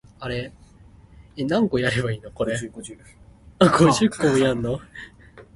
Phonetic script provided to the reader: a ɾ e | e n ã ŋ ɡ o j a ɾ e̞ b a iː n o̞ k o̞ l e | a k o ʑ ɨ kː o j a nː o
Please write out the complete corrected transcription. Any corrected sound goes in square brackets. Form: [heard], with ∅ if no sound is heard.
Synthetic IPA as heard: a ɾ e | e n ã ŋ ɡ o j a ɾ e̞ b a iː n o̞ k o̞ [ɾ] e | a [ɡ] o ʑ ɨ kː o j a nː o